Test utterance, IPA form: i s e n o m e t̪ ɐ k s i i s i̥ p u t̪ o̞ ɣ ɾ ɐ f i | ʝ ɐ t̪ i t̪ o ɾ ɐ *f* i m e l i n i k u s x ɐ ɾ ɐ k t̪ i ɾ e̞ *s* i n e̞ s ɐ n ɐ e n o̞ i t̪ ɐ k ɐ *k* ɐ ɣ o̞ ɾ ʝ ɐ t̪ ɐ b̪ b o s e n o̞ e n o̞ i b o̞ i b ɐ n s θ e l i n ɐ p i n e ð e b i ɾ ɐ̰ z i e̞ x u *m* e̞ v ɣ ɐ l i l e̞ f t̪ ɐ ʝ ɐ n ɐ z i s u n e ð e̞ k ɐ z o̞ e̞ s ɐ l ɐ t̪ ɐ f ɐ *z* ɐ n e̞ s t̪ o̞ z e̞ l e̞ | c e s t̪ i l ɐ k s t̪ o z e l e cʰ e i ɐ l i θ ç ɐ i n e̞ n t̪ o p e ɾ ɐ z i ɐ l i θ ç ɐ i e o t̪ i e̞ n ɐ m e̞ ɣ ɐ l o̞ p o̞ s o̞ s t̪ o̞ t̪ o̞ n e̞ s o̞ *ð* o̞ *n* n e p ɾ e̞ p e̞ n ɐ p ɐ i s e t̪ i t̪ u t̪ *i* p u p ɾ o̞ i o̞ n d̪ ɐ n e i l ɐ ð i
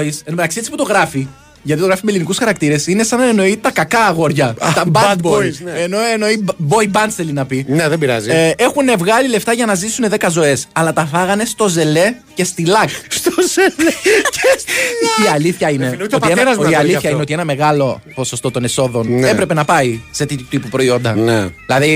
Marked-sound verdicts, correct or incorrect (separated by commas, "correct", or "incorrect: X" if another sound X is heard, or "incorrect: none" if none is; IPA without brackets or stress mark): correct, correct, correct, incorrect: n, incorrect: ɣ, correct, correct, correct